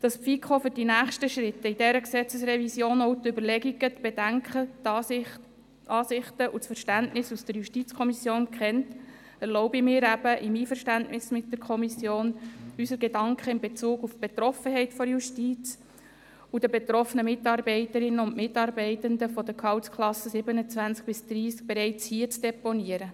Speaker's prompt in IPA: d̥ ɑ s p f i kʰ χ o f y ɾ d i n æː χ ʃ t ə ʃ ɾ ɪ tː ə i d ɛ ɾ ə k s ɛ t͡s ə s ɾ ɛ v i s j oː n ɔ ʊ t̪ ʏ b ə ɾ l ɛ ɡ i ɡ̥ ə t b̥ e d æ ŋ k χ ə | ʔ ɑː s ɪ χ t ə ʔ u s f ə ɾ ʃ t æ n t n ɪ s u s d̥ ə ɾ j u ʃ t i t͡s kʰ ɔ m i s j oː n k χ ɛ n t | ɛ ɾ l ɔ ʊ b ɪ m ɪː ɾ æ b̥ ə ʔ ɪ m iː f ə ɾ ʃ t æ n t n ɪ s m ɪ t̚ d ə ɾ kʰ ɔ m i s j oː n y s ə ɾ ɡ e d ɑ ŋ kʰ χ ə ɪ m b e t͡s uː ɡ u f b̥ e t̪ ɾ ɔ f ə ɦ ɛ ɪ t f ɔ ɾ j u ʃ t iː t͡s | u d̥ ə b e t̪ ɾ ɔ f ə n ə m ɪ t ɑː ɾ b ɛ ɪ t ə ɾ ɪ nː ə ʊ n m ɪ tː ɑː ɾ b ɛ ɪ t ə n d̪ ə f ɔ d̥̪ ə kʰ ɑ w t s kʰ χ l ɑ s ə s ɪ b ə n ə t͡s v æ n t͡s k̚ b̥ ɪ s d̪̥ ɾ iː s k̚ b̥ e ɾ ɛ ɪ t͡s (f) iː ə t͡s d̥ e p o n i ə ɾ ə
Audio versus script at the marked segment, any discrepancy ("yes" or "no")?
yes